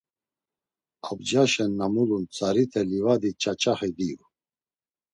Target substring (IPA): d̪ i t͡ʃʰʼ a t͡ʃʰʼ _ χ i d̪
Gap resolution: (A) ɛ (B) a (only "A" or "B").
B